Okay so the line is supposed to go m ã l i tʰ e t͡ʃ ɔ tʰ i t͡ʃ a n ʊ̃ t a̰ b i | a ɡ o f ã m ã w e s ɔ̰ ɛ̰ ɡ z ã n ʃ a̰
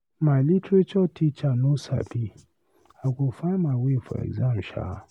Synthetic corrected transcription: m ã l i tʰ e t͡ʃ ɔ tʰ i t͡ʃ a n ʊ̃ s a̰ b i | a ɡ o f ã m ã w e f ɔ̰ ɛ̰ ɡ z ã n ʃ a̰